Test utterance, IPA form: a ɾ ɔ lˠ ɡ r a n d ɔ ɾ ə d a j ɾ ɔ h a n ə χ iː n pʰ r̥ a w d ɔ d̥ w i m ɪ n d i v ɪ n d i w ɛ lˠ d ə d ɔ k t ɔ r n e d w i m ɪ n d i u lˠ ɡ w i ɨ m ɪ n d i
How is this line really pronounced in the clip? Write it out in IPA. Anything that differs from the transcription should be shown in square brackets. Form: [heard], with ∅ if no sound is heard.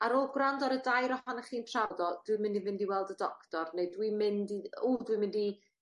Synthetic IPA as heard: a ɾ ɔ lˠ ɡ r a n d ɔ ɾ ə d a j ɾ ɔ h a n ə χ iː n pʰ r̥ a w d ɔ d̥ w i m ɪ n d i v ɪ n d i w ɛ lˠ d ə d ɔ k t ɔ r n e d w i m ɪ n d i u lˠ [d] w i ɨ m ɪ n d i